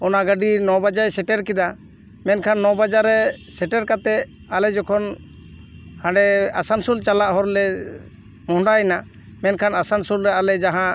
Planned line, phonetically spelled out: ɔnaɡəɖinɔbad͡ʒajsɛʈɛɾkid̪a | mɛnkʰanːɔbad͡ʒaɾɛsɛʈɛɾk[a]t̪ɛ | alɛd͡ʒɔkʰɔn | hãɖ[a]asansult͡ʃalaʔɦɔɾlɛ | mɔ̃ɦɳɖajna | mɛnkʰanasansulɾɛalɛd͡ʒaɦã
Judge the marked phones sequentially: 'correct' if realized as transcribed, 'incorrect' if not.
correct, incorrect: ɛ

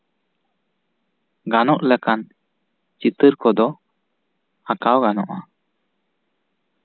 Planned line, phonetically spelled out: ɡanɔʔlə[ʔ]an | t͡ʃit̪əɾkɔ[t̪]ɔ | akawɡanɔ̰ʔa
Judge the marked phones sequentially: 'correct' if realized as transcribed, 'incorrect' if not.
incorrect: k, incorrect: d̪

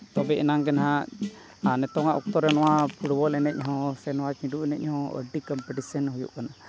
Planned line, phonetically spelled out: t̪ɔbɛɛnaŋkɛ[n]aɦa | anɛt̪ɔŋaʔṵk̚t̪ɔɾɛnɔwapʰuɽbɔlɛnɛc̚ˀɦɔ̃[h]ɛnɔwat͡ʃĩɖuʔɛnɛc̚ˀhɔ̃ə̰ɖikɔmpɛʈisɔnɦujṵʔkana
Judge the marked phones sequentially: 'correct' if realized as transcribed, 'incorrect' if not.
correct, incorrect: s

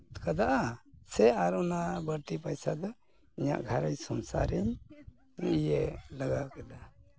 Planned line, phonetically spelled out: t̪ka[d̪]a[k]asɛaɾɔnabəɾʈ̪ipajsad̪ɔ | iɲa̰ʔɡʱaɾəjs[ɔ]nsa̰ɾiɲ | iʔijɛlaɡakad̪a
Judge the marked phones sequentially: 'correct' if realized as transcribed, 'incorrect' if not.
correct, incorrect: ʔ, correct

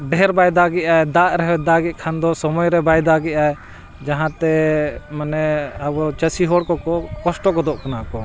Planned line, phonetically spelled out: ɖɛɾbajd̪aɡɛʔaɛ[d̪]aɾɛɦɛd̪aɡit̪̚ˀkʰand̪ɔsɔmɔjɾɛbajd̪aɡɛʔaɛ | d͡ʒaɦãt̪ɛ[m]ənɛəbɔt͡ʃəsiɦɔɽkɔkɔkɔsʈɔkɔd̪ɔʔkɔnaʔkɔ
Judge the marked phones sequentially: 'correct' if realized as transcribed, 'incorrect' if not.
correct, correct

